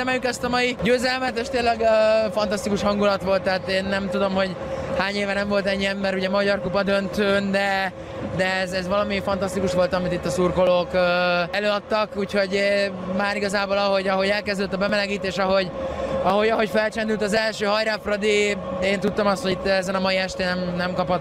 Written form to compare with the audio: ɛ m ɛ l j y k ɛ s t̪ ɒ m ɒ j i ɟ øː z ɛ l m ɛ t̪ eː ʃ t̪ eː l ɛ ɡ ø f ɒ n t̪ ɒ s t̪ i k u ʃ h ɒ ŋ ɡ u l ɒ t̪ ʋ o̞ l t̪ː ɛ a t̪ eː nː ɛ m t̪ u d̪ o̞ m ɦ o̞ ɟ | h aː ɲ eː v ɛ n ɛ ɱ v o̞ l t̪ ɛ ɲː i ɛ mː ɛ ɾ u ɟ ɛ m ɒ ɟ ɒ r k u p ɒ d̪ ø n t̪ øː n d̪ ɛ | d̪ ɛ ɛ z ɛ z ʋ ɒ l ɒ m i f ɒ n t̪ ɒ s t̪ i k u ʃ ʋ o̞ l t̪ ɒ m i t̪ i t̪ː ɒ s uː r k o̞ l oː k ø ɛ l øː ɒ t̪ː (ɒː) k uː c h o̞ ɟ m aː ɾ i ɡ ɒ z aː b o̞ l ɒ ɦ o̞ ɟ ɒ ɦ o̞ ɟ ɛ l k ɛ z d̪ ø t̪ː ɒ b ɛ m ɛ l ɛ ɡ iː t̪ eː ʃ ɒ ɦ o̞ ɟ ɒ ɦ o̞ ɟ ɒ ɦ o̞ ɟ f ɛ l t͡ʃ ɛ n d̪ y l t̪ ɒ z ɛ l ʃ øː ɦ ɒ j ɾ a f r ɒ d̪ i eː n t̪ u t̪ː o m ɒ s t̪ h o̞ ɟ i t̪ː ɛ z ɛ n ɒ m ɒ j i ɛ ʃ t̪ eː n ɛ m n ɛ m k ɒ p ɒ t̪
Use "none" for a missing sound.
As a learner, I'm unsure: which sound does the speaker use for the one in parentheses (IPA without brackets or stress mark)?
ɒ